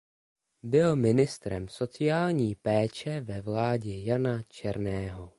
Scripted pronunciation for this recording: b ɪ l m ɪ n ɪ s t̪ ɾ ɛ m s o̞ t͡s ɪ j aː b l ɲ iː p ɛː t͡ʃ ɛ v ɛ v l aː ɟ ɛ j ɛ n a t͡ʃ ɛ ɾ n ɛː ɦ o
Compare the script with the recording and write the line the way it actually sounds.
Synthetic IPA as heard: b ɪ l m ɪ n ɪ s t̪ ɾ ɛ m s o̞ t͡s ɪ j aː l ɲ iː p ɛː t͡ʃ ɛ v ɛ v l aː ɟ ɛ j a n a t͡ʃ ɛ ɾ n ɛː ɦ o